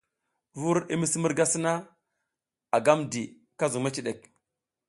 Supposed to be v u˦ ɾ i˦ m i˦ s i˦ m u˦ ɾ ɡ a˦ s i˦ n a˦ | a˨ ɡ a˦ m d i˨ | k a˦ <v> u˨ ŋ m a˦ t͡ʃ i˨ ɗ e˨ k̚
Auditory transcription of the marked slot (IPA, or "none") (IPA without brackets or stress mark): z